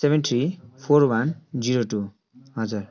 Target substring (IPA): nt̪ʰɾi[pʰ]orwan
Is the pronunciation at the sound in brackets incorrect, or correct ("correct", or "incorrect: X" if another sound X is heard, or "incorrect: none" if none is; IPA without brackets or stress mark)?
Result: correct